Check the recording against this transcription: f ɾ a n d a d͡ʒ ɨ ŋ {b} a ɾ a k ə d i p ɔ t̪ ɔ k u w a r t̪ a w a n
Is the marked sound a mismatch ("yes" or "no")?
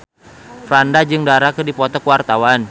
yes